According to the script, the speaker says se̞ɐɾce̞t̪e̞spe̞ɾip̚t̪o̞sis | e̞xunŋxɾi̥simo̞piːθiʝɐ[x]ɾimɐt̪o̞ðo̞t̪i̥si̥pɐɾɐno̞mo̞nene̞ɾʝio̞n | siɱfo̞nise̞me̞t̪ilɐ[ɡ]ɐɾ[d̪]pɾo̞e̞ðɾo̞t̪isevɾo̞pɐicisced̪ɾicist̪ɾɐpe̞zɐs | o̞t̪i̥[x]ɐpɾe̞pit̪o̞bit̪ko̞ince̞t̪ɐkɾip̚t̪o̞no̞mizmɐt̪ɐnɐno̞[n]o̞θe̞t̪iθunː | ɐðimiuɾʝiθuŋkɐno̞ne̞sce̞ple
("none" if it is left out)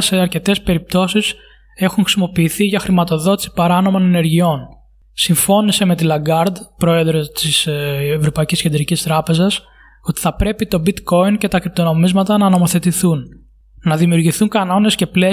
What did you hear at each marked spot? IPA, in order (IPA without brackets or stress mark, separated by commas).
x, ɡ, d̪, θ, m